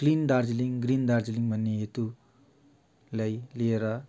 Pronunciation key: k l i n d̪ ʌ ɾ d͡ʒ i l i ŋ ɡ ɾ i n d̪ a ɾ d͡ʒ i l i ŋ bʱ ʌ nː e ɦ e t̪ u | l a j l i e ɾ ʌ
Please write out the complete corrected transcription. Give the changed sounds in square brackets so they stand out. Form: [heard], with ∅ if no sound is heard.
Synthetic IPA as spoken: k l i n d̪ [a] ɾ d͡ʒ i l i ŋ ɡ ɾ i n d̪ a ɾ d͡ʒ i l i ŋ bʱ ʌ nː e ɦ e t̪ u | l a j l i e ɾ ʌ